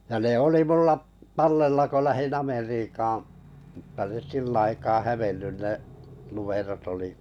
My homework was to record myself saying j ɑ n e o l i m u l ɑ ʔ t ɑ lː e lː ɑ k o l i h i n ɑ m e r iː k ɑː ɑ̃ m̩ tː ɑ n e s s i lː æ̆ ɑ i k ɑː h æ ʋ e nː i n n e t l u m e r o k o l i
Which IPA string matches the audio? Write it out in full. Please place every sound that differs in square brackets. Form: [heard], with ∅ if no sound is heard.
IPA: j ɑ n e o l i m u [lː] ɑ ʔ t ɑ lː e lː ɑ k o l [æ] h i n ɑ m e r iː k ɑː ɑ̃ m̩ tː ɑ n e s s i lː æ̆ ɑ i k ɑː h æ ʋ e nː [y] n n e [ʔ] l u m e r o [t] o l i